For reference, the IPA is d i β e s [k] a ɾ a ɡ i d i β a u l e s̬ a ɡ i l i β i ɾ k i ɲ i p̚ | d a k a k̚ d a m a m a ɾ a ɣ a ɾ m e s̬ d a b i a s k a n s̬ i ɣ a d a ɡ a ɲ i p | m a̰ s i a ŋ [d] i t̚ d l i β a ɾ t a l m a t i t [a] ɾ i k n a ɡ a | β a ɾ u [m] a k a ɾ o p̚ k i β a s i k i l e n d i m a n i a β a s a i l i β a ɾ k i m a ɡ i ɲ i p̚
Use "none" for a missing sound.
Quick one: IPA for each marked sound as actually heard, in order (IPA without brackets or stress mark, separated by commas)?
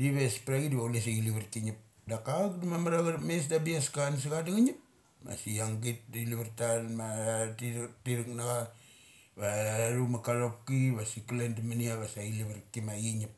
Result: p, ɡ, i, m